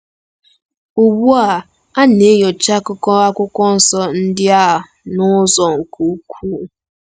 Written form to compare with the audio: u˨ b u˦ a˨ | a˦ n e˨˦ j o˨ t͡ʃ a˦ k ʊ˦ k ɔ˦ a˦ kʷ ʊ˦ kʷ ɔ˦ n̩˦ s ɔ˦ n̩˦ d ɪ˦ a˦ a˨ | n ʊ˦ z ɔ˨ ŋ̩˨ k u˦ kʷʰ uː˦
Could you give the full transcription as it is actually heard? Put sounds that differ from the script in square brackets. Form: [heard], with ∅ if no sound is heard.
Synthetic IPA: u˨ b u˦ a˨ | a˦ n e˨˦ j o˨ t͡ʃ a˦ k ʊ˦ k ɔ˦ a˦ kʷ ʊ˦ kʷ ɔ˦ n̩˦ s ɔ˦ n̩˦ d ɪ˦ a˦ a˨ | n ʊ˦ z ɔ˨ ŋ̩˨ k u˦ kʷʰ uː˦